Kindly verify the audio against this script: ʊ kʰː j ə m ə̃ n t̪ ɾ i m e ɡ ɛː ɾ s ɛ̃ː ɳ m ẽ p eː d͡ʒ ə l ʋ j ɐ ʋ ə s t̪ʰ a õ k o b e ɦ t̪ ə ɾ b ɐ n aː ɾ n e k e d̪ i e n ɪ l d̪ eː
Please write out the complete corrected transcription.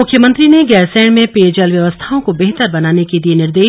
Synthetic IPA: ʊ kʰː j ə m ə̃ n t̪ ɾ i n e ɡ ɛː ɾ s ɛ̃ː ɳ m ẽ p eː d͡ʒ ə l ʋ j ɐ ʋ ə s t̪ʰ a õ k o b e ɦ t̪ ə ɾ b ɐ n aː n e k e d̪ i e n ɪ ɾ d̪ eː